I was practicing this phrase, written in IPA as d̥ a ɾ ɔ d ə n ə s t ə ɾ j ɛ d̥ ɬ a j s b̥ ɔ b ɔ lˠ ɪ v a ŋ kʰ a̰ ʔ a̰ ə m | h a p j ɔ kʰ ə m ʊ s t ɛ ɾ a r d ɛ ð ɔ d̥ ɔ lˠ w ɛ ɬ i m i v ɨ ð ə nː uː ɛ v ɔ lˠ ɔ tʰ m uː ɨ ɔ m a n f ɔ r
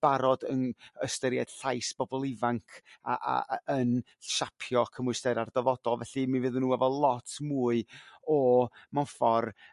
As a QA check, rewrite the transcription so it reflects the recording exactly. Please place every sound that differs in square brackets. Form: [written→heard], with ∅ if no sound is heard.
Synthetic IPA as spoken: [d̥→b̥] a ɾ ɔ d ə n ə s t ə ɾ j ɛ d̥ ɬ a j s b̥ ɔ b ɔ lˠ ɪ v a ŋ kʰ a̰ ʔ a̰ ə [m→n] | [h→ʃ] a [p→pʰ] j ɔ kʰ ə m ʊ s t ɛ ɾ a r d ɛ [ð→v] ɔ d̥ ɔ lˠ [w→v] ɛ ɬ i m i v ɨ ð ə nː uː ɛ v ɔ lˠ ɔ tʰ m uː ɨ ɔ m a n f ɔ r